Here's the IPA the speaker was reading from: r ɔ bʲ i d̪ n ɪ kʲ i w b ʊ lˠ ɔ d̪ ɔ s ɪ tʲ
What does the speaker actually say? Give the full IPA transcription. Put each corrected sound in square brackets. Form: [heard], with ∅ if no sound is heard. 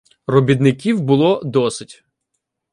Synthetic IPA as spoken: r ɔ bʲ i d̪ n ɪ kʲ i w b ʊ lˠ ɔ d̪ ɔ s ɪ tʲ